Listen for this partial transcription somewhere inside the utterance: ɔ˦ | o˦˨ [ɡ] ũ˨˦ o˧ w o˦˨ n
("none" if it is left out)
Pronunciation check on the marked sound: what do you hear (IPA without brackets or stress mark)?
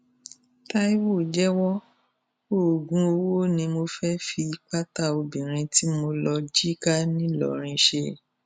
ɡ